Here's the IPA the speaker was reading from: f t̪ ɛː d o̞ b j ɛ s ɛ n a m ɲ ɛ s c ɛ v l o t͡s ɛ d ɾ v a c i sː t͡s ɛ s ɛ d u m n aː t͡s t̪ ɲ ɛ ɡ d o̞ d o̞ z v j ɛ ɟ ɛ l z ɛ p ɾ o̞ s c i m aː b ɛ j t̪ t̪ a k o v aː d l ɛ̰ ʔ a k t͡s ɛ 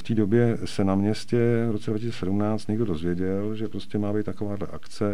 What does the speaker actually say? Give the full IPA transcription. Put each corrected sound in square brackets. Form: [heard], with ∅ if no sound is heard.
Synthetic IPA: f t̪ [iː] d o̞ b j ɛ s ɛ n a m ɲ ɛ s c ɛ v [ɾ] o t͡s ɛ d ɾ v a c i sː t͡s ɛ s ɛ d u m n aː t͡s t̪ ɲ ɛ ɡ d o̞ d o̞ z v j ɛ ɟ ɛ l [ʒ] ɛ p ɾ o̞ s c [ɛ] m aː b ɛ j t̪ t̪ a k o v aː d l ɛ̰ ʔ a k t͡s ɛ